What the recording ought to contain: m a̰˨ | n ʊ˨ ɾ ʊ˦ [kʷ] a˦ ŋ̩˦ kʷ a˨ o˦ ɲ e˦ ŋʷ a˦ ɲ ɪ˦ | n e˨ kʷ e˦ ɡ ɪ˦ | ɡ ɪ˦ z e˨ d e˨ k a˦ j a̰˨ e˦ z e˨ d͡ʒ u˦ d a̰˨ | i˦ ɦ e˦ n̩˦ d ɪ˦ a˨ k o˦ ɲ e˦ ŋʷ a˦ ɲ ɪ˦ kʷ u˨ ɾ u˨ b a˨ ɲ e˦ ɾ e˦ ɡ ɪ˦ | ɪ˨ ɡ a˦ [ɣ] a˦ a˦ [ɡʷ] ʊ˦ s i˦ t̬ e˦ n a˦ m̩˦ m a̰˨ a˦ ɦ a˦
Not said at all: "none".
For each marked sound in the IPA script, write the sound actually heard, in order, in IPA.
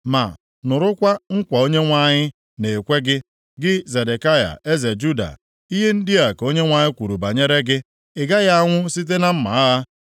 kʷ, ɣ, ŋʷ

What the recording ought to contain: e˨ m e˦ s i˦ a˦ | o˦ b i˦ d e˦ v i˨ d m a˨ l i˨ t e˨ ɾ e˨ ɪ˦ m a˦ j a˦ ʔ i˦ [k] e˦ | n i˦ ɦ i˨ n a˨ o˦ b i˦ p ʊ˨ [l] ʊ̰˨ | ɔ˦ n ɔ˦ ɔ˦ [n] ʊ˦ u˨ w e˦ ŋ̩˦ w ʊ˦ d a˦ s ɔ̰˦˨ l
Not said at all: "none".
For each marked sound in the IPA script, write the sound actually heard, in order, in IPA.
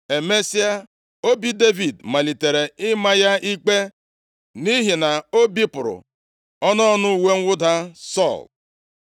k͡p, ɾ, n

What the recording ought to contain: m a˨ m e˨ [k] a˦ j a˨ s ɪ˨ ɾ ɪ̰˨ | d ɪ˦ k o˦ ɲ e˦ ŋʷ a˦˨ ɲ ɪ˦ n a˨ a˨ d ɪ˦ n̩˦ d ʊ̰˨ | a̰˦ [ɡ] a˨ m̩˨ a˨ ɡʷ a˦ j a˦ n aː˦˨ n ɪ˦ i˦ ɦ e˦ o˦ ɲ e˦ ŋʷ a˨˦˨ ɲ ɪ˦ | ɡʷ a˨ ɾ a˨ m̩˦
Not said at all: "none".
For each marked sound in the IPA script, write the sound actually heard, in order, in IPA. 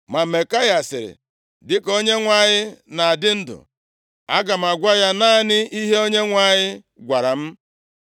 k, ɡ

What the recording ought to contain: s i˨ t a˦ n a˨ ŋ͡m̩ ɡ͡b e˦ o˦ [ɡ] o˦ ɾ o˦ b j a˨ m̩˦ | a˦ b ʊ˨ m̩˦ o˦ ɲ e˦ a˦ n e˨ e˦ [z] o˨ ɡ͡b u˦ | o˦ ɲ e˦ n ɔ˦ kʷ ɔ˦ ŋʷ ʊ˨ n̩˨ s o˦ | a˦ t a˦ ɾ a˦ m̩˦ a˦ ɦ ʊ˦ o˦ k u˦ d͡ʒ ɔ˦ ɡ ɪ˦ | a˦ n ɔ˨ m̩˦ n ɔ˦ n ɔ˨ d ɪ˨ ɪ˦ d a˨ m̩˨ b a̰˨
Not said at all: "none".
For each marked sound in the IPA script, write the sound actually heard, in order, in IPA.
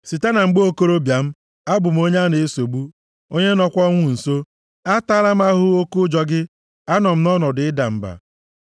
k, s

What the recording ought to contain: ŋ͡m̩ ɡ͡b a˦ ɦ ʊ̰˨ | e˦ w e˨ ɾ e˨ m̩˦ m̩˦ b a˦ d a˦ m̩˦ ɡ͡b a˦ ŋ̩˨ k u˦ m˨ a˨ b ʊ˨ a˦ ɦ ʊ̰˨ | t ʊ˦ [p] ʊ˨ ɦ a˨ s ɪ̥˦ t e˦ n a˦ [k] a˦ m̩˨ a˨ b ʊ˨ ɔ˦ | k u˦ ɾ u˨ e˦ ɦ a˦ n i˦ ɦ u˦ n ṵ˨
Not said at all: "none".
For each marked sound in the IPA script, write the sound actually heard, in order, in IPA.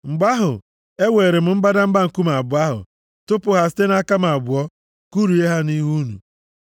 p, k

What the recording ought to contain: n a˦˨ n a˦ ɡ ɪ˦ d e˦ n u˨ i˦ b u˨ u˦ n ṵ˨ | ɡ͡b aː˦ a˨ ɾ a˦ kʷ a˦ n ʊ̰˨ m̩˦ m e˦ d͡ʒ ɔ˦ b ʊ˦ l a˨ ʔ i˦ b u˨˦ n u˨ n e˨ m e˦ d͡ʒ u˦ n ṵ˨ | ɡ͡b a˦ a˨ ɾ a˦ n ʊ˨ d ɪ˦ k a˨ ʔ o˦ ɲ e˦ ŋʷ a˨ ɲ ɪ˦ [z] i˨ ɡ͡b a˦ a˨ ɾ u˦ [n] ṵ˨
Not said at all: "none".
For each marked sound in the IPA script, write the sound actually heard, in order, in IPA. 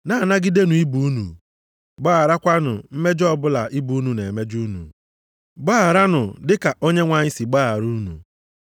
s, n

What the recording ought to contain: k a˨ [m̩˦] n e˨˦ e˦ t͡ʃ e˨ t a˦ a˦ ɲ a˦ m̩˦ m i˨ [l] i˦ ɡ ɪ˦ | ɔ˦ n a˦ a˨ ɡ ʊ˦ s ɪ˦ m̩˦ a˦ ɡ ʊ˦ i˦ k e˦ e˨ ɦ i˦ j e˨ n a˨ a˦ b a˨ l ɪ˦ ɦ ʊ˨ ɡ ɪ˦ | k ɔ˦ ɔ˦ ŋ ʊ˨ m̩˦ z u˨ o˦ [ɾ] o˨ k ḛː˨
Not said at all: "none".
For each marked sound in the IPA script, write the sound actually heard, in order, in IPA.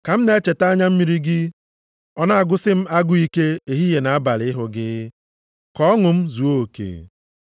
m̩˦, ɾ, none

